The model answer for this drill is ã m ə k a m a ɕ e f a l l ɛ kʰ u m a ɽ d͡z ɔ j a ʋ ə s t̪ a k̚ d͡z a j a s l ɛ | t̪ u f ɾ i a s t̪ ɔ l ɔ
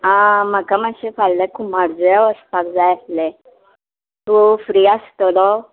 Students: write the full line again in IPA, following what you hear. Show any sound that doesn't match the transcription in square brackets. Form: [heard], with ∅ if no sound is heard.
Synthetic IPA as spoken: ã m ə k a m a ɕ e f a l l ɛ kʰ u m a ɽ d͡z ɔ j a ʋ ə s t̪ a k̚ d͡z a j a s l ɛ | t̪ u f ɾ i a s t̪ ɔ l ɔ